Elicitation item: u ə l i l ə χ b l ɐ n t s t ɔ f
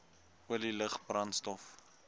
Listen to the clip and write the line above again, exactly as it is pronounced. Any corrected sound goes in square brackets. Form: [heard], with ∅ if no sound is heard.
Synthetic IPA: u ə l i l ə χ b [r] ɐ n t s t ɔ f